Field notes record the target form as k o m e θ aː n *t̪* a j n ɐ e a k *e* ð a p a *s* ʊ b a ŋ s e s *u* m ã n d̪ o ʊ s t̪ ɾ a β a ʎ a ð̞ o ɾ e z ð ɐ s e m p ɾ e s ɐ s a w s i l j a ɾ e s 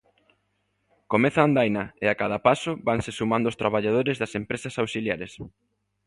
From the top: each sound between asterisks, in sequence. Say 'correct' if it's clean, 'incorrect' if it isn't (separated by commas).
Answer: incorrect, incorrect, correct, correct